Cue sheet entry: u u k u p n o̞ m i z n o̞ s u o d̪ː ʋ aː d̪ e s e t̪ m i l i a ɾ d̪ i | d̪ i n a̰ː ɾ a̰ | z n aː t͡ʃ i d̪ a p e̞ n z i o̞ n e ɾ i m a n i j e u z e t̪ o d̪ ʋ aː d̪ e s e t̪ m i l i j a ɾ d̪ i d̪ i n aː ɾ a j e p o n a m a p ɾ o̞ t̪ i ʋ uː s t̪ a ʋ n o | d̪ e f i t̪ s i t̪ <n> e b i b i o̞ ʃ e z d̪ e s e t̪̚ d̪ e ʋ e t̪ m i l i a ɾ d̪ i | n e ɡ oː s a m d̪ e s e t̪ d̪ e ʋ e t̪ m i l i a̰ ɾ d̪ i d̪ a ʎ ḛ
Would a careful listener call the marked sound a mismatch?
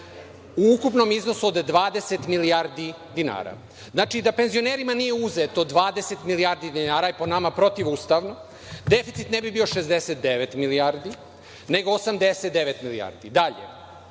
no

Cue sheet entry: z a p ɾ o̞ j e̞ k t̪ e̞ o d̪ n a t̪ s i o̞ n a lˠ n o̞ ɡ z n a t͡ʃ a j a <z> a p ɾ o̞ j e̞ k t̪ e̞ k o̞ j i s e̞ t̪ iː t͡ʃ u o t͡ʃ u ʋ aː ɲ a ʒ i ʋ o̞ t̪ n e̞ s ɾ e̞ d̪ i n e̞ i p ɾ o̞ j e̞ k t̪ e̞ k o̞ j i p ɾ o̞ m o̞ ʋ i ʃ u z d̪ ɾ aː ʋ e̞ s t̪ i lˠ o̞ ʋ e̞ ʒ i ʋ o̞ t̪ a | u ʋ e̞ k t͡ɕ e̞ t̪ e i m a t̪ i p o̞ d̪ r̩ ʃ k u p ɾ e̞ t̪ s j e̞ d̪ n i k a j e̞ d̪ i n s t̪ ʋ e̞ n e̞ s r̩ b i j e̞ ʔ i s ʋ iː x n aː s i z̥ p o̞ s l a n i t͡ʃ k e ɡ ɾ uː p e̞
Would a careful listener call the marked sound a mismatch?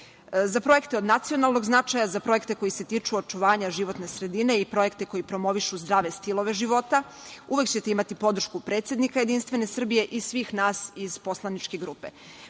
no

